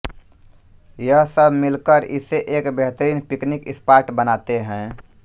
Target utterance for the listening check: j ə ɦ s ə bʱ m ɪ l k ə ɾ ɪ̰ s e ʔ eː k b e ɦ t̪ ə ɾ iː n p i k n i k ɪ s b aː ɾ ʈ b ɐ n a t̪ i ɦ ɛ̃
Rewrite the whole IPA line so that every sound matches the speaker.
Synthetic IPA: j ə ɦ s ə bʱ m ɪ l k ə ɾ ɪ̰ s e ʔ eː k b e ɦ t̪ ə ɾ iː n p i k n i k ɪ s p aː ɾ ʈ b ə n a t̪ e ɦ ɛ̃